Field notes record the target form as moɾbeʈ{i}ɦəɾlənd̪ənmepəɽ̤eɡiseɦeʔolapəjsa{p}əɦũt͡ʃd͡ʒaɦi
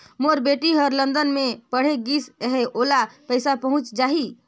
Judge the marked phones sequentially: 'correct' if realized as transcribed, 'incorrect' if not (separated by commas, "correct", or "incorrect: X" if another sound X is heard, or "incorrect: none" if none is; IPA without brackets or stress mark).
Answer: correct, correct